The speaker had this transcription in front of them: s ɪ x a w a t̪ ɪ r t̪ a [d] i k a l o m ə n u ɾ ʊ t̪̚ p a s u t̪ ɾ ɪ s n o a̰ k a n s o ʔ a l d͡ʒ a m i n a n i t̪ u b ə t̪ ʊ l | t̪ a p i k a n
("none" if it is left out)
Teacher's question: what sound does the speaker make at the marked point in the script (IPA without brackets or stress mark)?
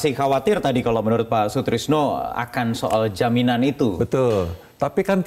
d